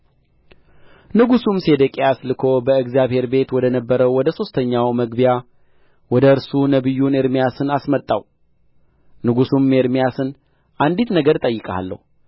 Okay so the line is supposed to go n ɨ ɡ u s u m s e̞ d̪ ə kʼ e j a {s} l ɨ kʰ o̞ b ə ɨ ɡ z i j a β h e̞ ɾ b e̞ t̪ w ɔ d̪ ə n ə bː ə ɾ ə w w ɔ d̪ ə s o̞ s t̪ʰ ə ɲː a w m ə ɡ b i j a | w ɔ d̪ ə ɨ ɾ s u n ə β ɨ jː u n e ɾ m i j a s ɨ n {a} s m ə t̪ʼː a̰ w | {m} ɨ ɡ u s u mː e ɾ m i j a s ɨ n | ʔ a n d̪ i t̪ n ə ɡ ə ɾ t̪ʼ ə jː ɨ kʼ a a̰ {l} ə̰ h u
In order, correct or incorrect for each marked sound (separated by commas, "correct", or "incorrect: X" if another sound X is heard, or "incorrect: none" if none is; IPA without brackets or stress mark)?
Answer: correct, correct, incorrect: n, incorrect: lː